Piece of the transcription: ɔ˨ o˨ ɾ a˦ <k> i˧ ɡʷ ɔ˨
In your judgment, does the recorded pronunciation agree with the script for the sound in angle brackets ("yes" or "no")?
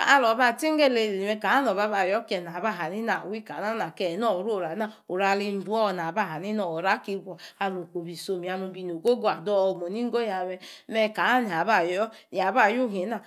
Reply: yes